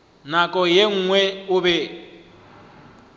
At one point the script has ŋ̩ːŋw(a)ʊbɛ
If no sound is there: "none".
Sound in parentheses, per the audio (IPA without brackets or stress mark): ɛ